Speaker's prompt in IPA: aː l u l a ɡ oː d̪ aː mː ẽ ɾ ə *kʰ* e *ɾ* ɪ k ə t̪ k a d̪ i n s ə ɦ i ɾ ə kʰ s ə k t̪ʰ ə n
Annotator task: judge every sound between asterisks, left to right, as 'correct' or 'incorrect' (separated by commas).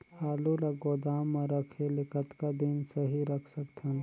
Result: correct, incorrect